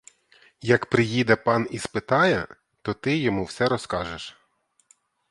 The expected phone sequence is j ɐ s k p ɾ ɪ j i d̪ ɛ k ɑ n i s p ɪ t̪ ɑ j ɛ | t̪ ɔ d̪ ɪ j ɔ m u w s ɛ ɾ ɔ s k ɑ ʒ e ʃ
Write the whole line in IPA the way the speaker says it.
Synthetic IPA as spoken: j ɐ k p ɾ ɪ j i d̪ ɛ p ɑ n i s p ɪ t̪ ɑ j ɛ | t̪ ɔ t̪ ɪ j ɔ m u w s ɛ ɾ ɔ s k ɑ ʒ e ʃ